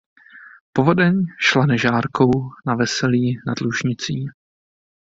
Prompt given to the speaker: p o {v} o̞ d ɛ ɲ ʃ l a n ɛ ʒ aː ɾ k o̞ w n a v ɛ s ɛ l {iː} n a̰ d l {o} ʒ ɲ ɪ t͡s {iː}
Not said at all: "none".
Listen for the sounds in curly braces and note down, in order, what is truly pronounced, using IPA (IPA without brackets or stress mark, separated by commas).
v, iː, u, iː